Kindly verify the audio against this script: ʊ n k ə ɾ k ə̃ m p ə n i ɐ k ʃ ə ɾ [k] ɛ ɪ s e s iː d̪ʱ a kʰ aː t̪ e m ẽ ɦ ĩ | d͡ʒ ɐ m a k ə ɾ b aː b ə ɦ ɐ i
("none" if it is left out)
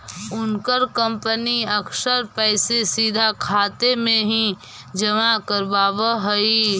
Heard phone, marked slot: p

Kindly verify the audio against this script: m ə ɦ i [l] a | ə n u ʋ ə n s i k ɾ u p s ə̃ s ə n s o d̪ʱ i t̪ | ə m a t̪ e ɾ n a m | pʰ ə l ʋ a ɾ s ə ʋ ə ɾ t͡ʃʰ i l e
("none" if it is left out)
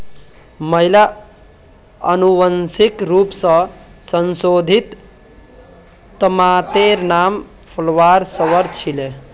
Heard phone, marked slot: l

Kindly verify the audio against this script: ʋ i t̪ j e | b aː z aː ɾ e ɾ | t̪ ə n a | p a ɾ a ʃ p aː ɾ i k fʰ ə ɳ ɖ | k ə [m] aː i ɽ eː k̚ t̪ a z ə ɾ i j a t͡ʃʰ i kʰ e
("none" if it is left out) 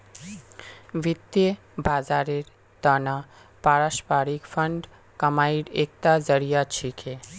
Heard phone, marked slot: m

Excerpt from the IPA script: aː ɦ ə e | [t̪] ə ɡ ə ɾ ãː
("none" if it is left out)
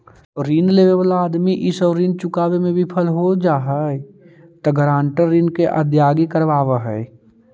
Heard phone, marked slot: t̪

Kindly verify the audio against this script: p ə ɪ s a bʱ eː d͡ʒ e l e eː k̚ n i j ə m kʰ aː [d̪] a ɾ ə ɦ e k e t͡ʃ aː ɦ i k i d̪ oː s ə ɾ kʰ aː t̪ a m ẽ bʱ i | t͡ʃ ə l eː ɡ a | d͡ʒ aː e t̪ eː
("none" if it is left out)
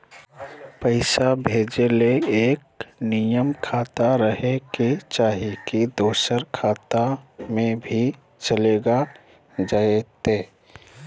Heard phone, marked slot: t̪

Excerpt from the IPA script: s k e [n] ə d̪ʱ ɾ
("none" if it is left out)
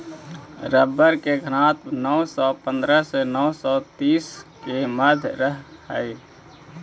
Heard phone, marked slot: m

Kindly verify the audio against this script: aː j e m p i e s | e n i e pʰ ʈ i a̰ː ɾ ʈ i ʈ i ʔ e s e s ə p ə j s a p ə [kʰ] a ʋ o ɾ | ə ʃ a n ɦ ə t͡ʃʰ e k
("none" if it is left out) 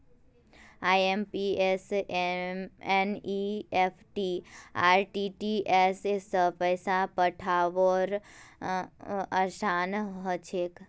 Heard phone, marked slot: ʈʰ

